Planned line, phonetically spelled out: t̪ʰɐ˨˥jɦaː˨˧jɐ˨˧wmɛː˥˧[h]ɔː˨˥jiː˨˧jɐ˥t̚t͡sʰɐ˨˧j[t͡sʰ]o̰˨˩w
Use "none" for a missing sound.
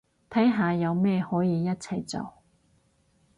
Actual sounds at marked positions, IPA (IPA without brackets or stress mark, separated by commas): h, t͡s